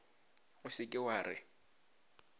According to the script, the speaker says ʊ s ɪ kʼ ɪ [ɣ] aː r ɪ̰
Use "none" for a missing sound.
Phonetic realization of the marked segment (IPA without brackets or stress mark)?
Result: w